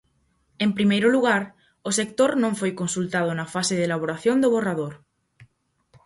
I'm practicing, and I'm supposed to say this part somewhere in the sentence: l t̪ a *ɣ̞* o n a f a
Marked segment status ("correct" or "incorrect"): incorrect